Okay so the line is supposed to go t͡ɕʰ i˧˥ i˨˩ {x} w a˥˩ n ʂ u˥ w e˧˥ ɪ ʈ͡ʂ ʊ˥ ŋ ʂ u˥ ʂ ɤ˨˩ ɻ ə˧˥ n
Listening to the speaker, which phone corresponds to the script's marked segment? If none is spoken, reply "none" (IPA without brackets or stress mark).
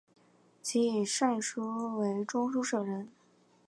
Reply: ʂ